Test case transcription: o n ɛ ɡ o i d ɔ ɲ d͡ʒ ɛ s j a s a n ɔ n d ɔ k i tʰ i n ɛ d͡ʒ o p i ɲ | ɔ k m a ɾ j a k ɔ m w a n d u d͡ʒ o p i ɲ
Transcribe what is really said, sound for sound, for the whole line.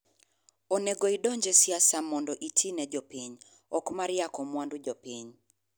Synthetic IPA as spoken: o n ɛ ɡ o i d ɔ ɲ d͡ʒ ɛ s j a s a m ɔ n d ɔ ʔ i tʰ i n ɛ d͡ʒ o p i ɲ | ɔ k m a ɾ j a k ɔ m w a n d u d͡ʒ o p i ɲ